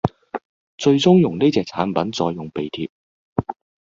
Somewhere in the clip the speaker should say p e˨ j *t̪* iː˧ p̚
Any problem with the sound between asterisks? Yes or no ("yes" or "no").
yes